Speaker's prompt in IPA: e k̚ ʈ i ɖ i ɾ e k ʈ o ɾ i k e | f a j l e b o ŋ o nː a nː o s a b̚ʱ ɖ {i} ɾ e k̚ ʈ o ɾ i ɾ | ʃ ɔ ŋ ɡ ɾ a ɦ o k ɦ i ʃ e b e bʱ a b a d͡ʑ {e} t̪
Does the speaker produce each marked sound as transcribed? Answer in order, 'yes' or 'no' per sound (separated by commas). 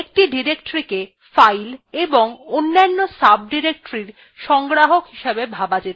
yes, yes